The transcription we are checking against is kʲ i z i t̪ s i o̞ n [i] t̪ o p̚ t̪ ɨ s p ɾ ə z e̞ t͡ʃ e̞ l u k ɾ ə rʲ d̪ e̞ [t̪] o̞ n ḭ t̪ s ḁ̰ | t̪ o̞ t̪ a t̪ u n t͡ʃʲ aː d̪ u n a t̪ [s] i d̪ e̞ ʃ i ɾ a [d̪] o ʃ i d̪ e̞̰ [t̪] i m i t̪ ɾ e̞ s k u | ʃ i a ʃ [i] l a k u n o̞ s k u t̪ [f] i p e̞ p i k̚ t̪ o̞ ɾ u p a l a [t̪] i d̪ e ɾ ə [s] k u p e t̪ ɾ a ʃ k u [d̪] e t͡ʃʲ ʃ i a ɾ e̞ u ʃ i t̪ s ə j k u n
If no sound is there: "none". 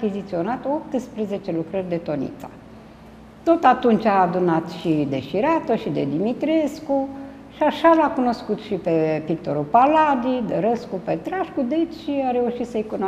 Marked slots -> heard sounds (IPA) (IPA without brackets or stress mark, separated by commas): a, t̪, ʃ, t̪, d̪, a, ʃ, d̪, s, d̪